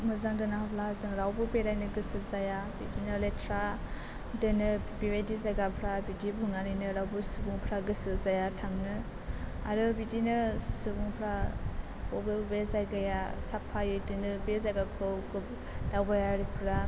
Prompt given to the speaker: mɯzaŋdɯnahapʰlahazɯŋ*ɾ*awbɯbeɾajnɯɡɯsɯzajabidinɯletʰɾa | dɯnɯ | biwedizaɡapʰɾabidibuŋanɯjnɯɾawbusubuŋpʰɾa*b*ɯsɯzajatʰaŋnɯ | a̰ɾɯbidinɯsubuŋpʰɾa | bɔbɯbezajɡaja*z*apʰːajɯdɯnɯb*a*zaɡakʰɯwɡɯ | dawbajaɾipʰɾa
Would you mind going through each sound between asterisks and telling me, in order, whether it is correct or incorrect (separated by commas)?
correct, incorrect, incorrect, incorrect